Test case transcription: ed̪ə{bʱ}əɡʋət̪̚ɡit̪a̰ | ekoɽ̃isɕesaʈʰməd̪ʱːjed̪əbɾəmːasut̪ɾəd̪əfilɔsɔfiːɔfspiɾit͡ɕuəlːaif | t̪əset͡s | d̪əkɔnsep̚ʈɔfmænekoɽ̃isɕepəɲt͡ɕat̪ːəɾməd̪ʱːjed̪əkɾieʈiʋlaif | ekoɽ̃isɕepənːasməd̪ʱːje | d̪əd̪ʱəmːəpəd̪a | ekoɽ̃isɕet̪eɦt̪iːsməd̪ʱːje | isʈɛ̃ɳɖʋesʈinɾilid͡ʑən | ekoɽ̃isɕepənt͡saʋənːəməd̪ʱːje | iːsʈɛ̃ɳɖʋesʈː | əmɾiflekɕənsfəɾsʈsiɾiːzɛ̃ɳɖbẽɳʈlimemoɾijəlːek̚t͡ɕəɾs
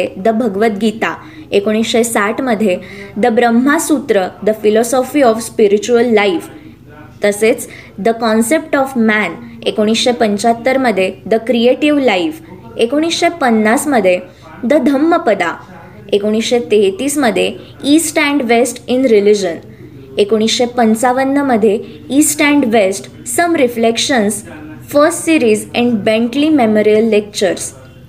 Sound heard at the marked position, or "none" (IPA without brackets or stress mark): bʱ